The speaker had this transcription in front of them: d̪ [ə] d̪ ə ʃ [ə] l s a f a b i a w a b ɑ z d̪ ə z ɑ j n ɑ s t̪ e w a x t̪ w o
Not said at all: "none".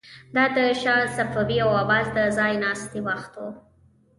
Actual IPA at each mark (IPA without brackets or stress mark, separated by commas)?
ɑ, ɑ